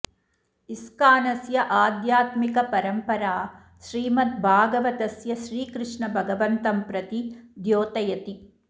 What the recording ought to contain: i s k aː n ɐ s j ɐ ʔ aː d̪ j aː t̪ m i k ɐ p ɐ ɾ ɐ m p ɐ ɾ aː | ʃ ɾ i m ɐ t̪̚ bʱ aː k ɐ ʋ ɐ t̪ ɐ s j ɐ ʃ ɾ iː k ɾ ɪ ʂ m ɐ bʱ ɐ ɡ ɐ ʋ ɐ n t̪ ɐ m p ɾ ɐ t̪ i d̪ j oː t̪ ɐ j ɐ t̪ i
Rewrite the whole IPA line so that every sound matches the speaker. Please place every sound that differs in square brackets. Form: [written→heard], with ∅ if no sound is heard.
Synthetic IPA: i s k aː n ɐ s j ɐ ʔ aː d̪ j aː t̪ m i k ɐ p ɐ ɾ ɐ m p ɐ ɾ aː | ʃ ɾ [i→iː] m ɐ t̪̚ bʱ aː [k→ɡ] ɐ ʋ ɐ t̪ ɐ s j ɐ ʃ ɾ iː k ɾ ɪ ʂ [m→ɳ] ɐ bʱ ɐ ɡ ɐ ʋ ɐ n t̪ ɐ m p ɾ ɐ t̪ i d̪ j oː t̪ ɐ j ɐ t̪ i